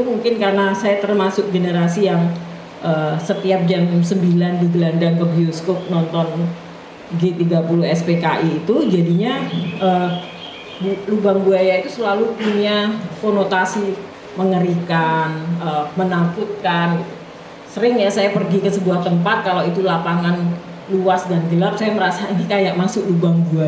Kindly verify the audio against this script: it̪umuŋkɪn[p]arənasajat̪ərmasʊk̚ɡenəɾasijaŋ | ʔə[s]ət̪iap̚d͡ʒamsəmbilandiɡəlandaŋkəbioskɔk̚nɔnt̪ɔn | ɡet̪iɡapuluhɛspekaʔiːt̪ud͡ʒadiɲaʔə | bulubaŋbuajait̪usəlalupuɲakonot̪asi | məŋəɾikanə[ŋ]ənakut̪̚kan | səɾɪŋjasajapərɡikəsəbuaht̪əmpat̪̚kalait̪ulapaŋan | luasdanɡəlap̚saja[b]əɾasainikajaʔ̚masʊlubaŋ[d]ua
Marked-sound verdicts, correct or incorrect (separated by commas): incorrect, correct, incorrect, incorrect, incorrect